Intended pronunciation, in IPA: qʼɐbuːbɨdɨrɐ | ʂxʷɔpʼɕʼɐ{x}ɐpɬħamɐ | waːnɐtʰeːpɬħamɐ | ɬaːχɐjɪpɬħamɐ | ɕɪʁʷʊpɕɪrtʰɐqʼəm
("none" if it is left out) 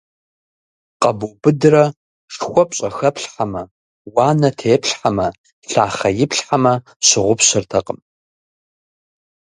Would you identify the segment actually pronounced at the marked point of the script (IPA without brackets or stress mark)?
x